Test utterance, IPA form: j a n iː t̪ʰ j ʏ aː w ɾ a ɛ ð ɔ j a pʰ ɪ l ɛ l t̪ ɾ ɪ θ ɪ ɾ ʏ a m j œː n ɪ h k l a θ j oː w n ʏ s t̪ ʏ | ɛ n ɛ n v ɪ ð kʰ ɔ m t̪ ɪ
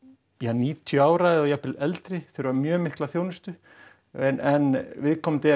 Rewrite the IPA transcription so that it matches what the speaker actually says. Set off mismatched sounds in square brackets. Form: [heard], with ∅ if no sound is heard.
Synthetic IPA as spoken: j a n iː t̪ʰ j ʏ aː w ɾ a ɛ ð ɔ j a [p] ɪ l ɛ l t̪ ɾ ɪ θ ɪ ɾ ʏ a m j œː [m] ɪ h k l a θ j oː w n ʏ s t̪ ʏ | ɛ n ɛ n v ɪ ð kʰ ɔ m t̪ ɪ

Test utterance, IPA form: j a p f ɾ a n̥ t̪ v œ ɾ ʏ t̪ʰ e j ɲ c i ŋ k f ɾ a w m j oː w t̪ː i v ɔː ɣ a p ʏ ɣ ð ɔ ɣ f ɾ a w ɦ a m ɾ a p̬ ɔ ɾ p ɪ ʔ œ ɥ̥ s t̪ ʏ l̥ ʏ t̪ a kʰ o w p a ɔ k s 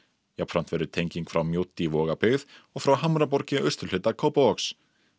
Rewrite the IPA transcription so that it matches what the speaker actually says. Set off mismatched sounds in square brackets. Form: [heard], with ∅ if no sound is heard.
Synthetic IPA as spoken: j a p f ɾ a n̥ t̪ v [ɛ] ɾ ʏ t̪ʰ e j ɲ c i ŋ k f ɾ a w m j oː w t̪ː i v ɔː ɣ a p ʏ ɣ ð ɔ ɣ f ɾ a w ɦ a m ɾ a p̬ ɔ ɾ [c] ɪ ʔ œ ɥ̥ s t̪ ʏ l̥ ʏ t̪ a kʰ o w p a ɔ k s

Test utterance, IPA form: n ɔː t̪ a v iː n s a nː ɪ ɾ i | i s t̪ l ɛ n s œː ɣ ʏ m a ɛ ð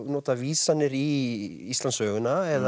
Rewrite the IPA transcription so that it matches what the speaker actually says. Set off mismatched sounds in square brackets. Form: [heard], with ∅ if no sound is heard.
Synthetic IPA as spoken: n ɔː t̪ a v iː [∅] s a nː ɪ ɾ i | i s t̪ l [a] n s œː ɣ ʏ [n] a ɛ ð

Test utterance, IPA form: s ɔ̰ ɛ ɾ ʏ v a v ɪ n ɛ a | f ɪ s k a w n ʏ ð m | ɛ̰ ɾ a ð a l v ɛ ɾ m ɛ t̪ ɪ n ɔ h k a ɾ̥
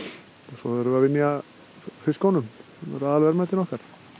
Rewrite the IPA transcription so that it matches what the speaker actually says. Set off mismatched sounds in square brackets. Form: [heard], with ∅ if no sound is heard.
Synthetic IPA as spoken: s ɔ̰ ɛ ɾ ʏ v a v ɪ [m] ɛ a | f ɪ s k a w n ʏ [∅] m | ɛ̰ ɾ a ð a l v ɛ ɾ m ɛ t̪ ɪ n ɔ h k a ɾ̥

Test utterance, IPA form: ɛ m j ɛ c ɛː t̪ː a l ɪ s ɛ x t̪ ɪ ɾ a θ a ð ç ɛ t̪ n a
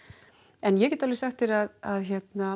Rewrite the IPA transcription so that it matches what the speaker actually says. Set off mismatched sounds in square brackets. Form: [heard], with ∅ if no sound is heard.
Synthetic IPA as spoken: ɛ [n] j ɛ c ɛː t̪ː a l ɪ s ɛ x t̪ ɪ ɾ a [ð] a ð ç ɛ t̪ n a

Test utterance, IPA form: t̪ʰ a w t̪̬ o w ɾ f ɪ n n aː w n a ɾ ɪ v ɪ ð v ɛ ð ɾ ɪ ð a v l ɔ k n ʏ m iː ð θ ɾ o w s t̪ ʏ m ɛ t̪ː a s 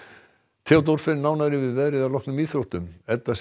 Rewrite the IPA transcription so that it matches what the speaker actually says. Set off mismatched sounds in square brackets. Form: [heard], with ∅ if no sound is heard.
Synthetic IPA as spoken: t̪ʰ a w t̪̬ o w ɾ f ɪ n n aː w n a ɾ ɪ v ɪ ð v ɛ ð ɾ ɪ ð a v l ɔ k n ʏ m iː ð θ ɾ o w [h] t̪ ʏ m ɛ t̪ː a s

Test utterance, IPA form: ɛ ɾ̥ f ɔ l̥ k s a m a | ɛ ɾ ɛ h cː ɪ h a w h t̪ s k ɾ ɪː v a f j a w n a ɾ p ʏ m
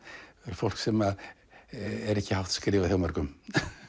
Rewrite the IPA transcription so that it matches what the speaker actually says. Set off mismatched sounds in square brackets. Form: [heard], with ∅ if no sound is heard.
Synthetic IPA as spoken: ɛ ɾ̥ f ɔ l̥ k s [ɛ] m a | ɛ ɾ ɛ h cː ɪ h a w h t̪ s k ɾ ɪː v a [θ] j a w [m] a ɾ [k] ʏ m

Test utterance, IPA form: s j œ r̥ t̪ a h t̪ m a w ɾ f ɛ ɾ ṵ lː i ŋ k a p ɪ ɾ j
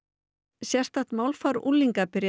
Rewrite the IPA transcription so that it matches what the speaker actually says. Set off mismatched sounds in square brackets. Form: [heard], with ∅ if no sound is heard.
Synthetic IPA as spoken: s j [ɛ] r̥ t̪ a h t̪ m a w [l] f [a] ɾ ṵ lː i ŋ k a p ɪ ɾ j

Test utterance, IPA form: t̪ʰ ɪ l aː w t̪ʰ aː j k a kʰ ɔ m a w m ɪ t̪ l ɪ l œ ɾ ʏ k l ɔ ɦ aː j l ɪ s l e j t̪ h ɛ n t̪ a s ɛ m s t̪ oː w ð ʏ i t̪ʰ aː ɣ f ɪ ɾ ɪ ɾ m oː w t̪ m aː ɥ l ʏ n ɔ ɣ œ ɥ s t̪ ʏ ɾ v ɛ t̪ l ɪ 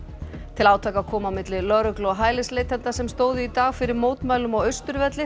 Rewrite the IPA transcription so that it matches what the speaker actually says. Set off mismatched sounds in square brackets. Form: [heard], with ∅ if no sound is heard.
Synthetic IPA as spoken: t̪ʰ ɪ l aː w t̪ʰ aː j k a kʰ [ɔː] m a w m ɪ t̪ l ɪ l œ ɾ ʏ k l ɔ ɦ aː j l ɪ s l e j t̪ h ɛ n t̪ a s ɛ m s t̪ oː w ð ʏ i [t̪] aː ɣ f ɪ ɾ ɪ ɾ m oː w t̪ m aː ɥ l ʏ [m] ɔ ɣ œ ɥ s t̪ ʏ ɾ v ɛ t̪ l ɪ

